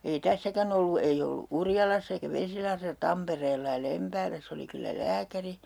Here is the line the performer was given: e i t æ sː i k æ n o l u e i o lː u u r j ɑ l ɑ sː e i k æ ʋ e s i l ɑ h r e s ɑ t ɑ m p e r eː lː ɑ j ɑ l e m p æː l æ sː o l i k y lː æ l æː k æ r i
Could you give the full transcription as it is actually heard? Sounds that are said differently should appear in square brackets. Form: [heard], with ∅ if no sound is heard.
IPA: e i t æ sː [æ] k æ n o [lː] u e i o lː u u r j ɑ l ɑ sː e i k æ ʋ e s i l ɑ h r e s ɑ t ɑ m p e r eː lː ɑ j ɑ l e m p æː l æ sː o l i k y lː æ l æː k æ r i